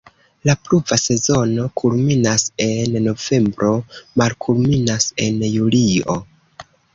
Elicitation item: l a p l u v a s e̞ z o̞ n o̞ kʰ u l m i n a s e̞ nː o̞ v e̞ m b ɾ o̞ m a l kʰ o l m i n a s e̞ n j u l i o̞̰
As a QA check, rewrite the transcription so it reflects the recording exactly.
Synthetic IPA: l a p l u v a s e̞ z o̞ n o̞ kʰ u l m i n a s e̞ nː o̞ v e̞ m b ɾ o̞ m a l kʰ u l m i n a s e̞ n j u l i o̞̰